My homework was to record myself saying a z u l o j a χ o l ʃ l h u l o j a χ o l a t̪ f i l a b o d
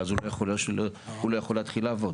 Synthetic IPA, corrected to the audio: a z u l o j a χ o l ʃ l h u l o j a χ o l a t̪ χ i l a v o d